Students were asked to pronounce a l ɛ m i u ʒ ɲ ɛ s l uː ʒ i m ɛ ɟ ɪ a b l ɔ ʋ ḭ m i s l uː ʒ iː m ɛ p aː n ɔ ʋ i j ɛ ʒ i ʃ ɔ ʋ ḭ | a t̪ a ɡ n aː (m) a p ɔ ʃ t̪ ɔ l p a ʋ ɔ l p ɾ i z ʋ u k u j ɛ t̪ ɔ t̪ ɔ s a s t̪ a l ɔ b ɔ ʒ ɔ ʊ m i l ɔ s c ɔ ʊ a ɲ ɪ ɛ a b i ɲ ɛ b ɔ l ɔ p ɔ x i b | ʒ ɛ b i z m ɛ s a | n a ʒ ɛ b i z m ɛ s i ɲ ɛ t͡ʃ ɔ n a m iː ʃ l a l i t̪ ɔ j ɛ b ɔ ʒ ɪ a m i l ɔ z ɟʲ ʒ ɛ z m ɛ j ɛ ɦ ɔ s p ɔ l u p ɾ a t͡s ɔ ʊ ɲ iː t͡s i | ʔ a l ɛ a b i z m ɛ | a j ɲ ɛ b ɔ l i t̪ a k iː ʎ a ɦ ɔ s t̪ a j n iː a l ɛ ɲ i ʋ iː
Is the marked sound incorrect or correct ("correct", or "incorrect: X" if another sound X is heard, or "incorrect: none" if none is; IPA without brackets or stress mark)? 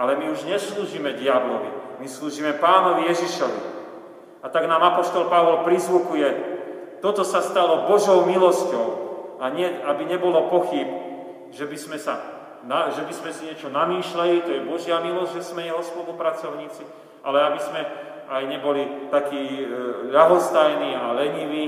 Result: correct